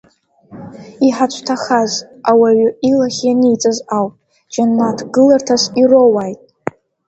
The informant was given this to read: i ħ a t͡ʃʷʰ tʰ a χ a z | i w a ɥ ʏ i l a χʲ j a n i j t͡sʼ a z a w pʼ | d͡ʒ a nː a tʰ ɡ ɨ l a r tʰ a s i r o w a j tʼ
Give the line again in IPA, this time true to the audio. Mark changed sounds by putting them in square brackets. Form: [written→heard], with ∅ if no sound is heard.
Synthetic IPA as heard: i ħ a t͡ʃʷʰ tʰ a χ a z | [i→a] w a ɥ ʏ i l a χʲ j a n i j t͡sʼ a z a w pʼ | d͡ʒ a nː a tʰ ɡ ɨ l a r tʰ a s i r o w a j tʼ